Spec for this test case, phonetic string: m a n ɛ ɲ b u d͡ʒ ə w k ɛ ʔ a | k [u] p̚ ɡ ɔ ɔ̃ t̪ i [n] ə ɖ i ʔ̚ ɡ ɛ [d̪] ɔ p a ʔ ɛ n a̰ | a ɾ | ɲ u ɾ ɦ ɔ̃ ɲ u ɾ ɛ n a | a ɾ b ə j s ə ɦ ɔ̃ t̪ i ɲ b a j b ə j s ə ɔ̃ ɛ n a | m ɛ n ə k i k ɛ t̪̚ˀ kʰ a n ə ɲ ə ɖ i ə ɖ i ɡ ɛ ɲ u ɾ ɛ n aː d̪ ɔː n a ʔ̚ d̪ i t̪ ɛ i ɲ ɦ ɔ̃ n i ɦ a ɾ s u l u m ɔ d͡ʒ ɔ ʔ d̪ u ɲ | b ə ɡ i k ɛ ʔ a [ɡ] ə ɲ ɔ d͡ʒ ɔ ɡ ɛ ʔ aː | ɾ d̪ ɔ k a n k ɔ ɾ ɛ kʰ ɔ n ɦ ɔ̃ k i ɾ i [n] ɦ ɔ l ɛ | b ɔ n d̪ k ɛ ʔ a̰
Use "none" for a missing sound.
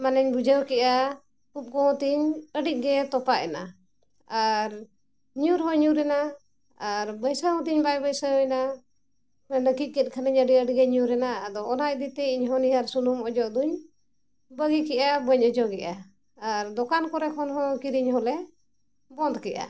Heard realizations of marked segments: u, ɲ, t̪, b, ɲ

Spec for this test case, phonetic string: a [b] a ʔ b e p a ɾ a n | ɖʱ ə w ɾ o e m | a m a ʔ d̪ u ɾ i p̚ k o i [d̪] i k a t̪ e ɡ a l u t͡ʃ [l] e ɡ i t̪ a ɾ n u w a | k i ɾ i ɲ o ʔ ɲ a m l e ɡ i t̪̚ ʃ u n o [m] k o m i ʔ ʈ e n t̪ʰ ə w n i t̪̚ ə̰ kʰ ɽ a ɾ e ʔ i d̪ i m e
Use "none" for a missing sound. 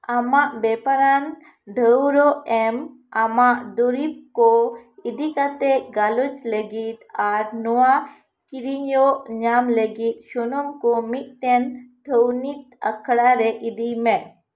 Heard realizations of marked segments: m, d̪, l, m

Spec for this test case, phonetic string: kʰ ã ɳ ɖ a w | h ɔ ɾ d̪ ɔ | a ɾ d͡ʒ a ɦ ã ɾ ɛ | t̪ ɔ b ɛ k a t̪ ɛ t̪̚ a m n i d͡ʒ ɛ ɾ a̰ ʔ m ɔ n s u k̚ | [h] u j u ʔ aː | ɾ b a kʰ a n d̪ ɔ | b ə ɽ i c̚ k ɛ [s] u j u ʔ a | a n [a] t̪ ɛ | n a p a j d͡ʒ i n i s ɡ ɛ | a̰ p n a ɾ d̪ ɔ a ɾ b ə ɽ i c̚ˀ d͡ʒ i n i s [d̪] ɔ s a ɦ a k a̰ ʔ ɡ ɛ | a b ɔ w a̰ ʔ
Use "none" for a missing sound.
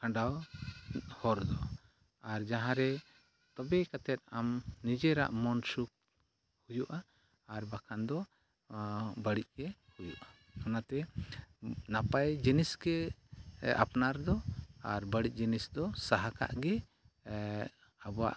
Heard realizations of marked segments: h, h, a, d̪

